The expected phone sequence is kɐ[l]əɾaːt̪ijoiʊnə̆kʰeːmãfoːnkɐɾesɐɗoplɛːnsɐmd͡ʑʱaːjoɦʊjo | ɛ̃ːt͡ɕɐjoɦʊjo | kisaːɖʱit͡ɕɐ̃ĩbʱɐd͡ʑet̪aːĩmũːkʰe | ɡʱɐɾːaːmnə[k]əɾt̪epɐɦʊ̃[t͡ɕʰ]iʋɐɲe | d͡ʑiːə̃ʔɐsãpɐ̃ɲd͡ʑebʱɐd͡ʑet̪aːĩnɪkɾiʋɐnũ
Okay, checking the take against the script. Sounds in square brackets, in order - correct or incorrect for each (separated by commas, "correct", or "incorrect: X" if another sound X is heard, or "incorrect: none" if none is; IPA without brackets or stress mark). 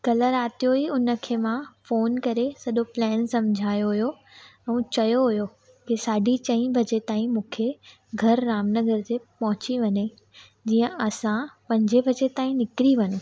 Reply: correct, incorrect: ɡ, incorrect: t͡ɕ